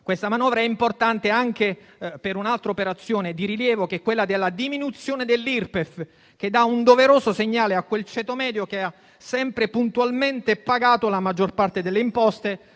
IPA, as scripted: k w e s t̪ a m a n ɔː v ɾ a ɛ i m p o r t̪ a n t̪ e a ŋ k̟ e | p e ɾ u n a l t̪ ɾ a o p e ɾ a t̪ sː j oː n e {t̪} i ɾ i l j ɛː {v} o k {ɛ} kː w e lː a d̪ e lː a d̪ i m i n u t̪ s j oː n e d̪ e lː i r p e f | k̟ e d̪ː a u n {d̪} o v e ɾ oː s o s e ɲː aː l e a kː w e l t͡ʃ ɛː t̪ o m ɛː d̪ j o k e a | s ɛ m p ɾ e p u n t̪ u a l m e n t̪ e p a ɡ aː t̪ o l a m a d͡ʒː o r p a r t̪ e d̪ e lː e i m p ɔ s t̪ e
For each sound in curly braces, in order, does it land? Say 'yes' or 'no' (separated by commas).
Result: no, yes, yes, yes